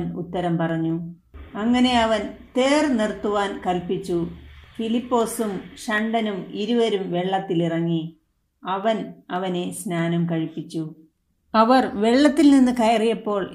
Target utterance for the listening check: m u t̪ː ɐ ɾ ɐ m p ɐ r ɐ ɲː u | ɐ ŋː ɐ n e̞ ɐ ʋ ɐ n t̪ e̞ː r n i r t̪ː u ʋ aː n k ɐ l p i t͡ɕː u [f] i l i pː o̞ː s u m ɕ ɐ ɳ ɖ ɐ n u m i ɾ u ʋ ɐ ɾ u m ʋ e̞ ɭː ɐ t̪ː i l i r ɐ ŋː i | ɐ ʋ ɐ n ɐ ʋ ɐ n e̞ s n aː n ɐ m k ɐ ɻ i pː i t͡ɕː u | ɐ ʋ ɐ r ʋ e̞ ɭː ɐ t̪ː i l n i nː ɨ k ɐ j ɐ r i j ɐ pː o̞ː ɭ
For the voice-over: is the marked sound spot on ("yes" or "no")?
yes